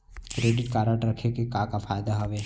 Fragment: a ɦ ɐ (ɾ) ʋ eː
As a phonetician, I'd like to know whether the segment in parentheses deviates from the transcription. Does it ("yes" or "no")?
yes